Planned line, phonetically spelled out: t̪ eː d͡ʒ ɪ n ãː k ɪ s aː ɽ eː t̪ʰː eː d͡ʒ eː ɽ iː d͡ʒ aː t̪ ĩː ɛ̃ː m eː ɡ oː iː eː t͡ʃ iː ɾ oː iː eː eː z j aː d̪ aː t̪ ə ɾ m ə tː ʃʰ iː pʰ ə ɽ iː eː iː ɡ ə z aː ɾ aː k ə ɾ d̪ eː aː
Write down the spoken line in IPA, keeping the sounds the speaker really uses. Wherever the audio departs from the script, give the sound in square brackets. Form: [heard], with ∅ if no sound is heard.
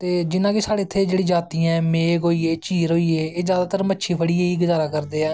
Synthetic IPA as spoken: t̪ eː d͡ʒ ɪ n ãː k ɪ s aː ɽ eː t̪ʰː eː d͡ʒ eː ɽ iː d͡ʒ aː t̪ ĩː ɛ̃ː m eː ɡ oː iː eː t͡ʃ iː ɾ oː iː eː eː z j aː d̪ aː t̪ ə ɾ m ə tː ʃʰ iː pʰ ə ɽ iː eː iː ɡ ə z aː ɾ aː k ə ɾ d̪ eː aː